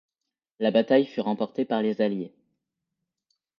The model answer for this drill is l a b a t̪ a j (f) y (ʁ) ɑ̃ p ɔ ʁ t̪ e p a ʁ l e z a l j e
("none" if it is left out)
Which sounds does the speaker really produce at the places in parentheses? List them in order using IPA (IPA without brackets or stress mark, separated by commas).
f, ʁ